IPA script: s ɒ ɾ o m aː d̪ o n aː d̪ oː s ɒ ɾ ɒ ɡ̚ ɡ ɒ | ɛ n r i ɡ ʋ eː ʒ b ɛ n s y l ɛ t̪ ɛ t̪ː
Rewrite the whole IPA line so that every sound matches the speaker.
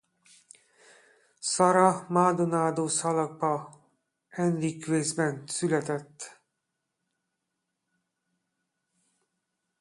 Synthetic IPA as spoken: s ɒ ɾ ɒ m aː d̪ o n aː d̪ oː s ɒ l ɒ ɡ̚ b ɒ | ɛ n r i k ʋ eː z b ɛ n s y l ɛ t̪ ɛ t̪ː